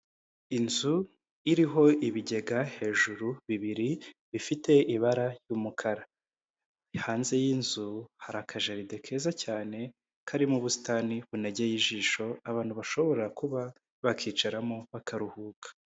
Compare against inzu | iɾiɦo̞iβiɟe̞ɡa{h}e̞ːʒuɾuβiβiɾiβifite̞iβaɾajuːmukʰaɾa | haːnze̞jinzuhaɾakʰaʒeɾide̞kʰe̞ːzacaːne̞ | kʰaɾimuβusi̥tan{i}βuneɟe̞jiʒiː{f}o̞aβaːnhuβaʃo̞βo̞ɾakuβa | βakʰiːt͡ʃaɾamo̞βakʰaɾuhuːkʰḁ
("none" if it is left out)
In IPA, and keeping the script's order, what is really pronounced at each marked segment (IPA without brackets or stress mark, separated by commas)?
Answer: h, i, ʃ